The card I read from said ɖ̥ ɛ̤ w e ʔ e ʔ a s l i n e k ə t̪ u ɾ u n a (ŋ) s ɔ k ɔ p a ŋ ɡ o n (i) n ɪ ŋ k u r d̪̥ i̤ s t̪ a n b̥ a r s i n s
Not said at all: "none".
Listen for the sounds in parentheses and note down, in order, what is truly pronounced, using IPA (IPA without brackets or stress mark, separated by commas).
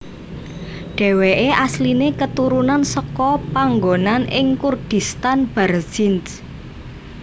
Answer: n, a